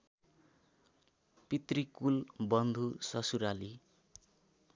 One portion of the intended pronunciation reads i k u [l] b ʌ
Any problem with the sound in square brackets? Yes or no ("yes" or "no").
no